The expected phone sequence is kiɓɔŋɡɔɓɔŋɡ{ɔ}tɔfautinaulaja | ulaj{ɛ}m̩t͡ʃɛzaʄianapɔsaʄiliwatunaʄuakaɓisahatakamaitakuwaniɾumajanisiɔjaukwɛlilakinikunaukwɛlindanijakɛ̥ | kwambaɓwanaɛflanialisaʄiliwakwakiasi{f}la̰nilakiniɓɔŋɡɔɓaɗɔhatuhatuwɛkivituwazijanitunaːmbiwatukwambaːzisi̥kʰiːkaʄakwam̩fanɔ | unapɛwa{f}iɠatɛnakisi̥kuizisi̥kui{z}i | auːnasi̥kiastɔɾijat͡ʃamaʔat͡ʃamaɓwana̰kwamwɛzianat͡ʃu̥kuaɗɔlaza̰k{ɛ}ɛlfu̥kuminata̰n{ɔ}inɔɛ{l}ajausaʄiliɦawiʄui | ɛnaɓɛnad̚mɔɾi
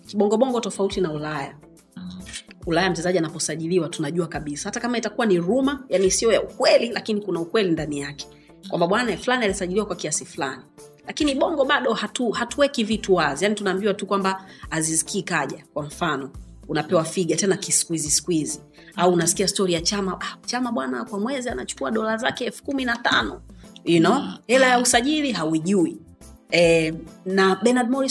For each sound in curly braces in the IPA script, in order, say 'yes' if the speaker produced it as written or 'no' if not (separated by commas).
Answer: yes, no, yes, yes, yes, yes, yes, yes